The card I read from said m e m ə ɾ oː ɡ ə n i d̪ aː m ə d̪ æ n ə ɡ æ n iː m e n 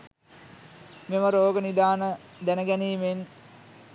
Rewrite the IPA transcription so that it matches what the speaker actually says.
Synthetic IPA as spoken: m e m ə ɾ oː ɡ ə n i d̪ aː n ə d̪ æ n ə ɡ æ n iː m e n